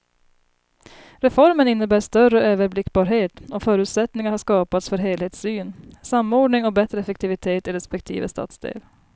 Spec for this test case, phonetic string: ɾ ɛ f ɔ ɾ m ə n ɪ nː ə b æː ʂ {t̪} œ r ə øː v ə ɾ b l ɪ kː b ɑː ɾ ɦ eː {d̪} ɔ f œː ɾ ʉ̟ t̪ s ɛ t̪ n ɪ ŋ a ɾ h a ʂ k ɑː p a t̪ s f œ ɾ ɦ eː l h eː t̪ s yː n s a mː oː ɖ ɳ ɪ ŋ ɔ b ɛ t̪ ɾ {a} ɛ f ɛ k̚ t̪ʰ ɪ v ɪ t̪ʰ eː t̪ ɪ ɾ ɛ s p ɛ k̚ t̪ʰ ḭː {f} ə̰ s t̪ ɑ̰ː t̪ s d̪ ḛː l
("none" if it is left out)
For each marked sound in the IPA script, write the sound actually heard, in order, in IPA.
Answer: t̪, t̪, ə, v

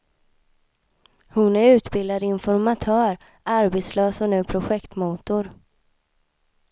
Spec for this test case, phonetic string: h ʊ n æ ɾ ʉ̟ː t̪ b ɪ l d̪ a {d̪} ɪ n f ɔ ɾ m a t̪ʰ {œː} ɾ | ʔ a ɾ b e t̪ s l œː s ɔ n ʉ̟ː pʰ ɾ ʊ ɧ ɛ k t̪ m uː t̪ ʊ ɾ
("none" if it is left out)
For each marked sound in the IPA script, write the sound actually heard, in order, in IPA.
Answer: d̪, œː

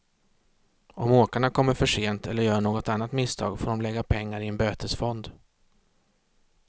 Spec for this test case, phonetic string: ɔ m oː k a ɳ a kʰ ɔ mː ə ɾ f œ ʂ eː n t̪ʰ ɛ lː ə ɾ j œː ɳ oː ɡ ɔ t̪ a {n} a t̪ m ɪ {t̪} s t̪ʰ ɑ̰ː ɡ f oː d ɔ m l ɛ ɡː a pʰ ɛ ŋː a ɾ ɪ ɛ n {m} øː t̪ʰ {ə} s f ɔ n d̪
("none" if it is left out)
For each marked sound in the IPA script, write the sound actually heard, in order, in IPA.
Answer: nː, none, b, ə

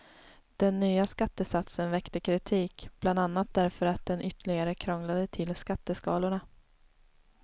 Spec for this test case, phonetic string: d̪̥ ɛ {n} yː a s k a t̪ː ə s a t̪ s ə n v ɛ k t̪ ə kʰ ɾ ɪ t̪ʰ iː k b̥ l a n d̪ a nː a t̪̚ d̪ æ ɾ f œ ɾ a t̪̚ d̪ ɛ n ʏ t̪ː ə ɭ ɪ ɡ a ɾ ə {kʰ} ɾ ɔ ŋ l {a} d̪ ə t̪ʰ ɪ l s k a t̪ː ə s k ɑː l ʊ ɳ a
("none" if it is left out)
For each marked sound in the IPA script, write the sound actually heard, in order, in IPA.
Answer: nː, kʰ, a

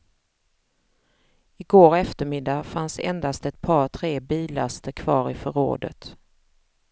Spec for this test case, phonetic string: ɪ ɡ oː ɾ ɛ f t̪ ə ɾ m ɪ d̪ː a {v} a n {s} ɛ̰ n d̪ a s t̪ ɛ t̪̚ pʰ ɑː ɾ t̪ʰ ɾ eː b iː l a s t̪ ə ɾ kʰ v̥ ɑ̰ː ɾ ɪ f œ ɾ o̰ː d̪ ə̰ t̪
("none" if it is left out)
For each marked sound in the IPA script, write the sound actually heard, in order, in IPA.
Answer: f, s

